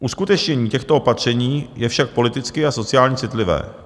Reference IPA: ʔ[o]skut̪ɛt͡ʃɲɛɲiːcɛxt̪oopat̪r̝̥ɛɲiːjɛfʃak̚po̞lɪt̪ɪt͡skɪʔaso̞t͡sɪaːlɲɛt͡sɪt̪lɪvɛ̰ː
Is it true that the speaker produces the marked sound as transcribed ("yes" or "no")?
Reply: no